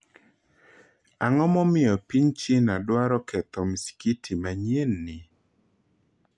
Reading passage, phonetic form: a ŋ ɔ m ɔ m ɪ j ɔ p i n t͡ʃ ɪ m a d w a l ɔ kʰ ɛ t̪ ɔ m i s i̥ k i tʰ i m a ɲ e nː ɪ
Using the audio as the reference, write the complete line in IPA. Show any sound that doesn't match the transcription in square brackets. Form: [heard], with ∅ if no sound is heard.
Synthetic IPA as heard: a ŋ ɔ m ɔ m ɪ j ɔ p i [ɲ] t͡ʃ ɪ [n] a d w a [ɾ] ɔ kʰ ɛ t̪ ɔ m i s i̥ k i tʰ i m a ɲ e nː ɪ